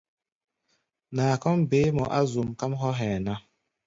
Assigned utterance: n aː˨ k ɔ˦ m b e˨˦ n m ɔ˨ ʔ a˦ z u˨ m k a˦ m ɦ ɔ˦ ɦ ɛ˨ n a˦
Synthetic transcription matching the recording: n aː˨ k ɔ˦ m b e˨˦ m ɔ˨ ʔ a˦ z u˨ m k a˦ m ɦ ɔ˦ ɦ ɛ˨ n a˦